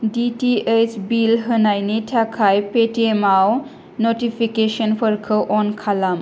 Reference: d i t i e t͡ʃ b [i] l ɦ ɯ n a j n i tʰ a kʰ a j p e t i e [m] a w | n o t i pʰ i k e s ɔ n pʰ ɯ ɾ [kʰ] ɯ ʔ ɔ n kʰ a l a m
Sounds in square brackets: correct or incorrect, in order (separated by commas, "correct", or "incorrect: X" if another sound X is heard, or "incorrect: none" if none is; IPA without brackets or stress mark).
correct, correct, correct